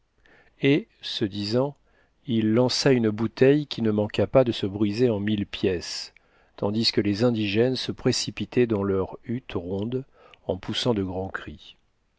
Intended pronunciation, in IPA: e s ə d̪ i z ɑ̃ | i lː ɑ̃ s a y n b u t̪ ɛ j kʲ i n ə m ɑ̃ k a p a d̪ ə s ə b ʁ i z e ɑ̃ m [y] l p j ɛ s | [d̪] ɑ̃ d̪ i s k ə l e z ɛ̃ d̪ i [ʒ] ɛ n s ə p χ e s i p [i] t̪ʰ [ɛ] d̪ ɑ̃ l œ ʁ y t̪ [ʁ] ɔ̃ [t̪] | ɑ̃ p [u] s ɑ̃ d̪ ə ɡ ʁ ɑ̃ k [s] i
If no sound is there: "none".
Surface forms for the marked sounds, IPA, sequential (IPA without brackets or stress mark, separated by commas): i, t̪, ʒ, i, ɛ, ʁ, d̪, u, χ